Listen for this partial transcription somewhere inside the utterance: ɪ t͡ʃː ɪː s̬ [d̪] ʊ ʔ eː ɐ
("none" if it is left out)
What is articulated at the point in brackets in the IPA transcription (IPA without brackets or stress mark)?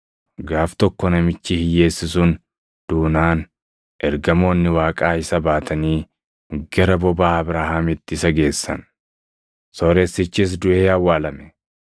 d̪